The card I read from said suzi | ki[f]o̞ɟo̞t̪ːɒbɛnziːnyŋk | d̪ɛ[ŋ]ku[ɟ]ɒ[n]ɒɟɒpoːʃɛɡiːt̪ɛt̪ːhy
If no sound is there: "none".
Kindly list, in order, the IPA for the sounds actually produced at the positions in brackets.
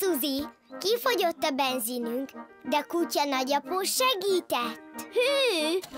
f, none, c, n

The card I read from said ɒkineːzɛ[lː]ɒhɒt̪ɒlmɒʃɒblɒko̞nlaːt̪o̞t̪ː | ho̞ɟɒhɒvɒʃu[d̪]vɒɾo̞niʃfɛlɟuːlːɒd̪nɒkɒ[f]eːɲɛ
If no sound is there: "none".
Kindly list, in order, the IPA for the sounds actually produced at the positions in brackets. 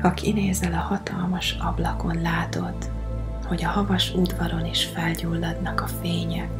l, d̪, f

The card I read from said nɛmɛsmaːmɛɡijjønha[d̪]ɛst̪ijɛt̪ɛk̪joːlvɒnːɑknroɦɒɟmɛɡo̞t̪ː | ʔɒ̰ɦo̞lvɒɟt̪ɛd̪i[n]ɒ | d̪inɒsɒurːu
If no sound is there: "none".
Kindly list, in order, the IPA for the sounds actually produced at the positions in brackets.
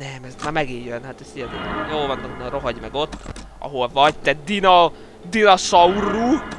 t̪, n

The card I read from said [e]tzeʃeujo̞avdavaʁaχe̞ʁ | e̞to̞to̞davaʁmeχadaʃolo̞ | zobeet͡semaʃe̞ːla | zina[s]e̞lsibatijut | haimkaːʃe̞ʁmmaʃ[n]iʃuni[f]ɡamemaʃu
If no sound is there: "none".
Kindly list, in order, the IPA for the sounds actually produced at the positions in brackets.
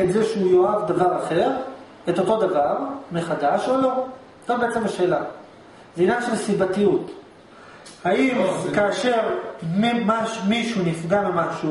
e, ʃ, m, f

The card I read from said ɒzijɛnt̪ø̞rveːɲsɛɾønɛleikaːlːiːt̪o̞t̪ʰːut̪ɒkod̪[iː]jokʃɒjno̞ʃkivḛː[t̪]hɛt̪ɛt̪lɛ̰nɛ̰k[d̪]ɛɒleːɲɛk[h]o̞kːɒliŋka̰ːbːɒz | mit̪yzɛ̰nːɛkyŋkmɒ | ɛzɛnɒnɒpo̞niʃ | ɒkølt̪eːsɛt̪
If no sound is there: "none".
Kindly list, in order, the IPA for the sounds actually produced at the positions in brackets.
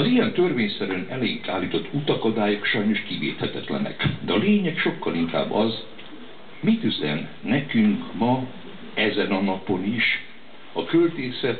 aː, t̪, d̪, ʃ

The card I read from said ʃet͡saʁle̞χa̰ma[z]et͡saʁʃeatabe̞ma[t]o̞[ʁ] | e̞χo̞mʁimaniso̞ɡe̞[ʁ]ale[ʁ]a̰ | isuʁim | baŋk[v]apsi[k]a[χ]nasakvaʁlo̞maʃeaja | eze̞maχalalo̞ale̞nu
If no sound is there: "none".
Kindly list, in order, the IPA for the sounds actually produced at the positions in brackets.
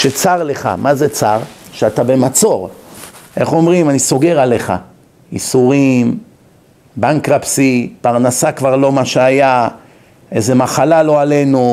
z, t͡s, ʁ, ʁ, χ, ʁ, p, ʁ

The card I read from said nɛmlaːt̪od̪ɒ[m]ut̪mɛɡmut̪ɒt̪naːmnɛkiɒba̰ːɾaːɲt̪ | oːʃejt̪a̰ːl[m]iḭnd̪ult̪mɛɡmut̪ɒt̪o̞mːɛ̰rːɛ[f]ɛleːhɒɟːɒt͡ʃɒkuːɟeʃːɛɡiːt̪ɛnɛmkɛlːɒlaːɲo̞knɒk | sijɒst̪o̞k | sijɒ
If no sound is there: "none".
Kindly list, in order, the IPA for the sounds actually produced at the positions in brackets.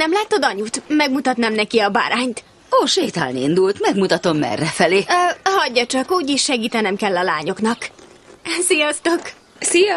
ɲ, n, f

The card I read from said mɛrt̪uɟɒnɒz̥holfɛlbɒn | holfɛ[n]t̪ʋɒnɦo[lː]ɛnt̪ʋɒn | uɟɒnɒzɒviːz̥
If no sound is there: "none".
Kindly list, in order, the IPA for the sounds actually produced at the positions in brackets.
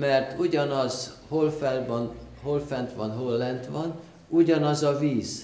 n, lː

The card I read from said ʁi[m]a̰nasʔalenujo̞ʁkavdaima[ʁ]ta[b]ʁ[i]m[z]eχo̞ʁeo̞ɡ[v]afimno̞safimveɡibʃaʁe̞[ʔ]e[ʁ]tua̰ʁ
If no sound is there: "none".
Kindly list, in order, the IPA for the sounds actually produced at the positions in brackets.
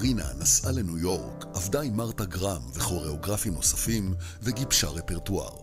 n, ʁ, ɡ, a, v, ʁ, p, ʁ

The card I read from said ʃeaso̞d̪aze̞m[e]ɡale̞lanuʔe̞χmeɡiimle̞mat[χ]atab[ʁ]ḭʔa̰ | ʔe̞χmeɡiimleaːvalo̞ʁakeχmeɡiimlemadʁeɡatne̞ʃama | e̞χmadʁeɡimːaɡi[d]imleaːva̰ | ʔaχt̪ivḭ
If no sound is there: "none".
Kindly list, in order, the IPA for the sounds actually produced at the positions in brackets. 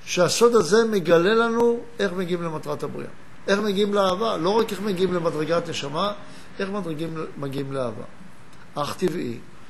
e, ʁ, ʁ, none

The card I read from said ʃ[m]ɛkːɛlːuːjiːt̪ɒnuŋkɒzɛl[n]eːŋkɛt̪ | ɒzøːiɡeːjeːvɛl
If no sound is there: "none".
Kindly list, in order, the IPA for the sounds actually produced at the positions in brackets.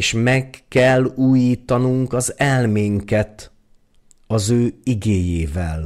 m, m

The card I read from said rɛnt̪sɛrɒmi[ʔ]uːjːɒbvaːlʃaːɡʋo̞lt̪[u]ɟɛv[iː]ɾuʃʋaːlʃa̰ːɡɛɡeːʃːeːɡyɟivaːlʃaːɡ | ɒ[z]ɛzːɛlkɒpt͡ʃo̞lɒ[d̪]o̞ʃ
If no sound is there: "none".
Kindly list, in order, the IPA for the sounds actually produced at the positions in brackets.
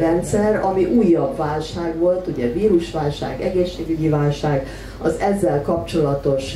ʔ, u, iː, z, t̪

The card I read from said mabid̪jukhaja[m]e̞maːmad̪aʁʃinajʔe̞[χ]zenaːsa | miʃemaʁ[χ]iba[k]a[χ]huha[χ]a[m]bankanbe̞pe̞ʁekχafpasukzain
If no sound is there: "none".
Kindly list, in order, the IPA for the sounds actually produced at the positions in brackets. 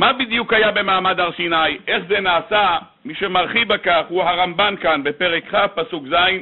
b, χ, χ, k, χ, ʁ, m

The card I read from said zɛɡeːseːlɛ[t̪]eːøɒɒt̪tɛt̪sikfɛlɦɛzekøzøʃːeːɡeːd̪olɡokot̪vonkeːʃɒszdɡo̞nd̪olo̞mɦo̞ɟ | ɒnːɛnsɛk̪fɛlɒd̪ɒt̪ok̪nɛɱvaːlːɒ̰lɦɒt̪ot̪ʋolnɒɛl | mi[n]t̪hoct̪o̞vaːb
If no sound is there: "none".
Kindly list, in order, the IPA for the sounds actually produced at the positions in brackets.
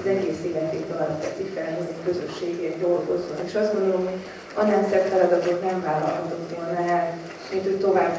t̪, n

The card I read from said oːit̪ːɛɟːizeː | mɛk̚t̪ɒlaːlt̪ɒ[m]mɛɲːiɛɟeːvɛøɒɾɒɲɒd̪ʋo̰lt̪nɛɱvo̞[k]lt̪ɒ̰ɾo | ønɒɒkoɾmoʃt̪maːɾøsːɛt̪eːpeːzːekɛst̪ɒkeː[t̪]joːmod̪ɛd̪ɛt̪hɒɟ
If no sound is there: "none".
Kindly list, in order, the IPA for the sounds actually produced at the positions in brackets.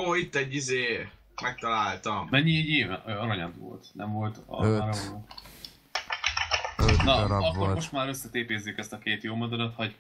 m, none, t̪

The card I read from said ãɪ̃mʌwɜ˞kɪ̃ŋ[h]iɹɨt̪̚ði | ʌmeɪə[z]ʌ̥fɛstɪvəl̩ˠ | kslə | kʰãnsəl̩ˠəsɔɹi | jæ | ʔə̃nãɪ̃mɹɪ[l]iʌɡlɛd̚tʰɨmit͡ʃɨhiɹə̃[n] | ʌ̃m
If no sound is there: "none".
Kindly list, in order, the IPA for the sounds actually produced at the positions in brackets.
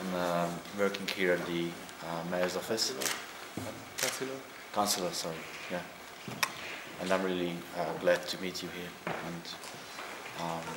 h, z, l, n

